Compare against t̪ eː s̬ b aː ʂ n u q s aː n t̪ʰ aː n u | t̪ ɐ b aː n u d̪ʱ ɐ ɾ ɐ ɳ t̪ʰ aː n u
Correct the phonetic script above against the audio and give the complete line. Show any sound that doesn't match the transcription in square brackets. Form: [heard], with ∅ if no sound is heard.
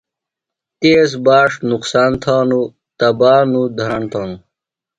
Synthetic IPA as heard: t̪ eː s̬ b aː ʂ n u q s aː n t̪ʰ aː n u | t̪ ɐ b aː n u d̪ʱ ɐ ɾ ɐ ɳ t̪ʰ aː n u